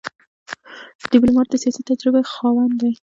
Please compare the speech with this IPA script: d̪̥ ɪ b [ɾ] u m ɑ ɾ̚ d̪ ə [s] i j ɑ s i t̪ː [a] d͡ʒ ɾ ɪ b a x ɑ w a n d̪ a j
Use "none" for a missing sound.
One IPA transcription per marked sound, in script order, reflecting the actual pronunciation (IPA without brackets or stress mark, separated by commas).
l, s, a